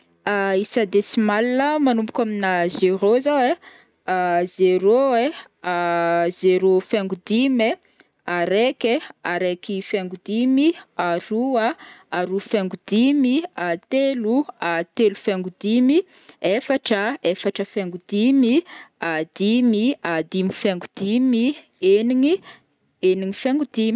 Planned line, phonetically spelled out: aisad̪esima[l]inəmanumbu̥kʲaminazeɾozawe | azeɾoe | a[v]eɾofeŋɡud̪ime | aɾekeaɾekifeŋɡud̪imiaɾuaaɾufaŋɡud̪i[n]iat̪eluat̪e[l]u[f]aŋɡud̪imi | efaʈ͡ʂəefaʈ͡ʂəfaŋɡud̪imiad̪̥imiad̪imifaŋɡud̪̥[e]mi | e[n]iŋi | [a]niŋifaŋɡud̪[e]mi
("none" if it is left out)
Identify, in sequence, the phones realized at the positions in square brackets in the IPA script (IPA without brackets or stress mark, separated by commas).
l, z, m, l, f, i, n, e, i